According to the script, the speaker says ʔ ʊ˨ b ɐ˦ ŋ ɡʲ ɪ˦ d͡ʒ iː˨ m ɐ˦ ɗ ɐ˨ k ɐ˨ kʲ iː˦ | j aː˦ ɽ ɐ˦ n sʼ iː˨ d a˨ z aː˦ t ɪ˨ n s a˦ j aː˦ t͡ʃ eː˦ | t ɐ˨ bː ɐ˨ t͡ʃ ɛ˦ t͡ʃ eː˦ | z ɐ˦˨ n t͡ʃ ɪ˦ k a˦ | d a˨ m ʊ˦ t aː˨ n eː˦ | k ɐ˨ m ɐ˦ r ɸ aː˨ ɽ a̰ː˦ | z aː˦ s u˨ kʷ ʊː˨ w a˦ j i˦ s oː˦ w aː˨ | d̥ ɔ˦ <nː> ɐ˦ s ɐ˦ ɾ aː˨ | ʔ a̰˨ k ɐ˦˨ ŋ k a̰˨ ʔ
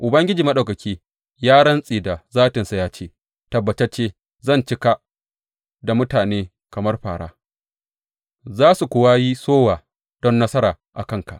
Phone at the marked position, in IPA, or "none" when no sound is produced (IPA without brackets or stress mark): nː